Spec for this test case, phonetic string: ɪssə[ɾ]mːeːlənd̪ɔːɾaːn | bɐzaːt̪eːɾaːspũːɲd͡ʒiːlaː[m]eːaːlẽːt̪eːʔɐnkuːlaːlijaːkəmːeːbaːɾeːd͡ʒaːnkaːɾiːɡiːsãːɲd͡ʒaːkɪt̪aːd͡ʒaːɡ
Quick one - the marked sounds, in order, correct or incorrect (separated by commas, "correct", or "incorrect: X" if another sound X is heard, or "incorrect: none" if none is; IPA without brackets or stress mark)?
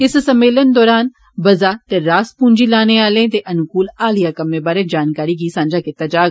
incorrect: none, incorrect: n